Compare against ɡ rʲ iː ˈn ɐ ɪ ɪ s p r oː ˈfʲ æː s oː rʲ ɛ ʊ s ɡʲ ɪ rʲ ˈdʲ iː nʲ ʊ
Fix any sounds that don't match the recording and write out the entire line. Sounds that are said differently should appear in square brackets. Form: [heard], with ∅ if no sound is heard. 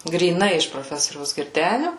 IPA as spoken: ɡ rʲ iː ˈn ɐ ɪ ɪ [ʃ] p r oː ˈfʲ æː s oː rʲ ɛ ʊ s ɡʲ ɪ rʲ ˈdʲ [æː] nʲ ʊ